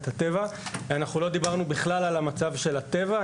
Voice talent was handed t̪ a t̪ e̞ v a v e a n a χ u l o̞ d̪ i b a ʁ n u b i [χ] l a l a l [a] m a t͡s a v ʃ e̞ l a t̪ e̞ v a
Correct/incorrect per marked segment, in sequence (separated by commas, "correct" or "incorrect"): correct, correct